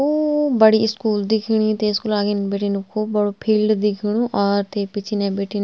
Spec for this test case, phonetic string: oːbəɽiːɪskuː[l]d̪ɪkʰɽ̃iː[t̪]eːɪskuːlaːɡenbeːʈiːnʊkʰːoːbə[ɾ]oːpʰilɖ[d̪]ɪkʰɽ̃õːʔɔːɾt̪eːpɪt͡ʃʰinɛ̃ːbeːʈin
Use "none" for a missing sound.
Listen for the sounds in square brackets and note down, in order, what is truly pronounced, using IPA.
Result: l, t̪, ɽ, d̪

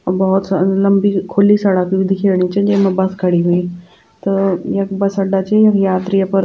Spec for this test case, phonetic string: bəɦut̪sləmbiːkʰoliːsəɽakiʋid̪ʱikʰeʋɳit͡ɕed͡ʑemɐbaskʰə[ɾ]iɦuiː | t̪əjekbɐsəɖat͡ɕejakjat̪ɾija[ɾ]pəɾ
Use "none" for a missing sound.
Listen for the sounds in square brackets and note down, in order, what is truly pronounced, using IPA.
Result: ɽ, none

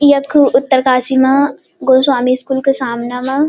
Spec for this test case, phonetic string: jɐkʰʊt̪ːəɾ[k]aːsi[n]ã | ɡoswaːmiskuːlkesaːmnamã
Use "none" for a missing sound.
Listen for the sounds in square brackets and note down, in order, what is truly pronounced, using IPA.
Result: k, m

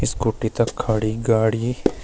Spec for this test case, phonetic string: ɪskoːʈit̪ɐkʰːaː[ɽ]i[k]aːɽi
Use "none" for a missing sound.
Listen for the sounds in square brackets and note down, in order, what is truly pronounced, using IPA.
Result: ɽ, ɡ

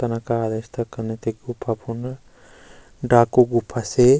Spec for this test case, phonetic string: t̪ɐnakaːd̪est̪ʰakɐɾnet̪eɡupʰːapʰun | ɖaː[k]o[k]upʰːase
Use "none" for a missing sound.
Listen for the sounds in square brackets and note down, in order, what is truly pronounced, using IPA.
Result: k, ɡ

